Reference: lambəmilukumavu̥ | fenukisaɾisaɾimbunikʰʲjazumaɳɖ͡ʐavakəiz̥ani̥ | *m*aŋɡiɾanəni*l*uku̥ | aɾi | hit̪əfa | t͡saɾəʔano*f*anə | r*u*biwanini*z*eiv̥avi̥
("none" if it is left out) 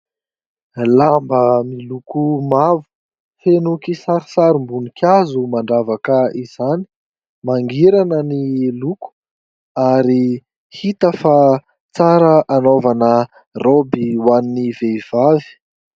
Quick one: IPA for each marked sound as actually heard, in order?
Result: m, l, v, o, v

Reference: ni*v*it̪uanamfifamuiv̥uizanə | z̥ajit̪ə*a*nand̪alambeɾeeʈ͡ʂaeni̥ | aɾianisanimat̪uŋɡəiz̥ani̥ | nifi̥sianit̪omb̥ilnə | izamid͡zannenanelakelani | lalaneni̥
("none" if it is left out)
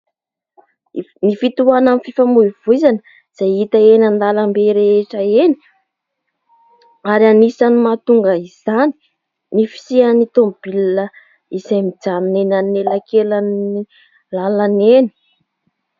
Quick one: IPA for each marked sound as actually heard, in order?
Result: f, e

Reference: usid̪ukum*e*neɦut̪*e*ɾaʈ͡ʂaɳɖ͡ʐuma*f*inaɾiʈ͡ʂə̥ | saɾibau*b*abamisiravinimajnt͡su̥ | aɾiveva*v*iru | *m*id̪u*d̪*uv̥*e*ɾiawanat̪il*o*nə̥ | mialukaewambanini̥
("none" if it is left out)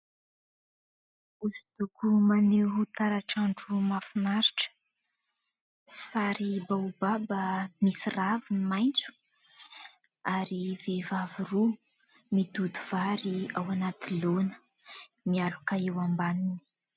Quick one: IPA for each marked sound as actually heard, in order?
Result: a, a, f, b, v, m, d̪, a, o

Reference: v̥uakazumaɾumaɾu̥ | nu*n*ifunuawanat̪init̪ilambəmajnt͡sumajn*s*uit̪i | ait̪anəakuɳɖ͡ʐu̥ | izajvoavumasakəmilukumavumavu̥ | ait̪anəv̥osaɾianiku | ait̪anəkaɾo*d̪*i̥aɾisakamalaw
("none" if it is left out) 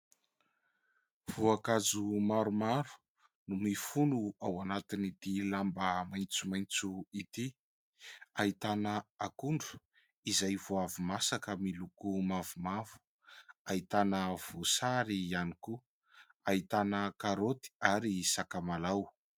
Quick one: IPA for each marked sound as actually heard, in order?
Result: m, t͡s, t̪

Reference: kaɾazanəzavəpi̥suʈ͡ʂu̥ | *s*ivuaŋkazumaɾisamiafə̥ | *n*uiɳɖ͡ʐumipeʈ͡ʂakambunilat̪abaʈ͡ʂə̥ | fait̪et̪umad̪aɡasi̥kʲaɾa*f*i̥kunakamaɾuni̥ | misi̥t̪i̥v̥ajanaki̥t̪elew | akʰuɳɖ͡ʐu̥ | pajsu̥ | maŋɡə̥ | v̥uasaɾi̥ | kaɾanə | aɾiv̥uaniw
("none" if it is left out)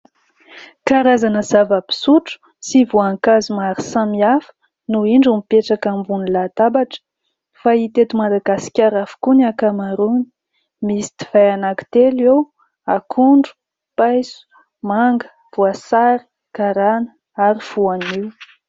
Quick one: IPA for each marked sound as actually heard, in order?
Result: s, n, f

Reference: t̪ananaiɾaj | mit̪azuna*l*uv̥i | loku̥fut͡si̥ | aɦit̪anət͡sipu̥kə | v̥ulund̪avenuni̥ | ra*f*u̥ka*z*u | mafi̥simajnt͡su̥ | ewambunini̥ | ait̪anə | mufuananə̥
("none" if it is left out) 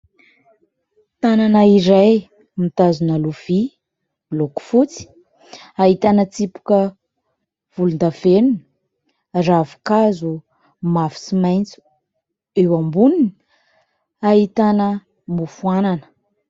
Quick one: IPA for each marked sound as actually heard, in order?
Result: l, v, z

